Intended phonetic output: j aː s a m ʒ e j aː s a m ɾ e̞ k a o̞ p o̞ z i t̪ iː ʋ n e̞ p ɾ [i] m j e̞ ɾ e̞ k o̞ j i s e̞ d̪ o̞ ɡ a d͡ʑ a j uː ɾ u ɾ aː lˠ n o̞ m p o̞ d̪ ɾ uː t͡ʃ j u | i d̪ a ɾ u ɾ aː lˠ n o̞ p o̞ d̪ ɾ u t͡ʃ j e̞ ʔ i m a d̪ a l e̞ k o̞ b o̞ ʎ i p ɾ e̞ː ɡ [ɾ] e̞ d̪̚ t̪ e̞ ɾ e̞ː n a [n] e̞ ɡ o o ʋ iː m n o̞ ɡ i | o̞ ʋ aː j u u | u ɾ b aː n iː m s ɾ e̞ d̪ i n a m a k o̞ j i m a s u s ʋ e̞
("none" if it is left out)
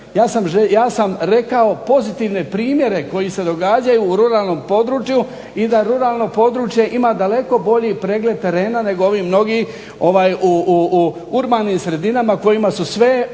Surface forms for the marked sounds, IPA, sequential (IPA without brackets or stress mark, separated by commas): iː, l, n